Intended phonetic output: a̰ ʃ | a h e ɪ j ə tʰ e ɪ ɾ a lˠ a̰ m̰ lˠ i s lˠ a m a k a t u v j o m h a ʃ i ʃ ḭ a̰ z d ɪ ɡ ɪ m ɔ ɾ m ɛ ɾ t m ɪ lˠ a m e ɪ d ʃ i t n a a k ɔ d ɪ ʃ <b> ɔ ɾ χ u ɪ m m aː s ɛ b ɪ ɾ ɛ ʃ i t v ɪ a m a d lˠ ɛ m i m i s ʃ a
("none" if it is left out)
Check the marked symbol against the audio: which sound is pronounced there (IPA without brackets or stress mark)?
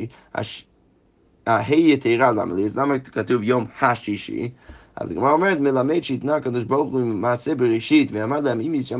b